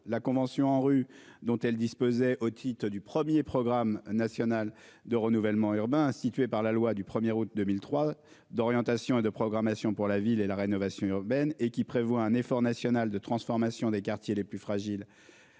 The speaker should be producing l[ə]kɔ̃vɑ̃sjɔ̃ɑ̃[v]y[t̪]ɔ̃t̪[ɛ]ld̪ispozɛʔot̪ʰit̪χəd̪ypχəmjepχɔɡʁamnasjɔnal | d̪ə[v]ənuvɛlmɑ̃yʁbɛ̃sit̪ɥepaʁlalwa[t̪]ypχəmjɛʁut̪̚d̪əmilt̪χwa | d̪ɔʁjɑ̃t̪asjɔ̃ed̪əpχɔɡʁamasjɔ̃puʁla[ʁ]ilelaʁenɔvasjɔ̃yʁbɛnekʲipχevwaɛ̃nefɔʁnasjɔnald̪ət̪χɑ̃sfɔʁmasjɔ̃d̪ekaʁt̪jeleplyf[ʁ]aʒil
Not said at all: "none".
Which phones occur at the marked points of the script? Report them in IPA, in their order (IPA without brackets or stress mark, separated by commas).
a, ʁ, d̪, ɛ, ʁ, d̪, v, χ